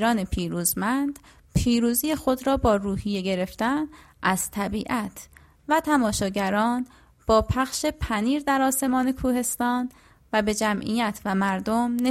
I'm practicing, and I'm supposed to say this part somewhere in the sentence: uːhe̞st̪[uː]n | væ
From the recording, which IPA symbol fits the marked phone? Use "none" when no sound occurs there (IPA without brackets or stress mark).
ɒː